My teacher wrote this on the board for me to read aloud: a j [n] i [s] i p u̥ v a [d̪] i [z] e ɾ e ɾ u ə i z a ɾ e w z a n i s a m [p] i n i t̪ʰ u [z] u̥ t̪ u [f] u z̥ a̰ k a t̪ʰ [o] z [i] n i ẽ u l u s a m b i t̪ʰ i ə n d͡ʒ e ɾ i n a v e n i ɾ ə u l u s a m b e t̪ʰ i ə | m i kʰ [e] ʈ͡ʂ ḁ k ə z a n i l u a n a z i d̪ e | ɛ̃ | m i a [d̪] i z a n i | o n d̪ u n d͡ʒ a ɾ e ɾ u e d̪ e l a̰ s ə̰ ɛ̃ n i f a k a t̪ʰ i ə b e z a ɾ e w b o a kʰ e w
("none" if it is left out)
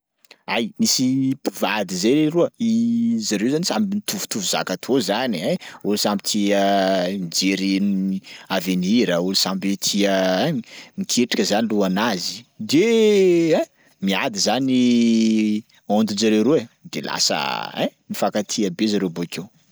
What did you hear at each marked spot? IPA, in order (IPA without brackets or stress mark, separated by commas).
m, s, d̪, z, b, v, v, o, a, e, d̪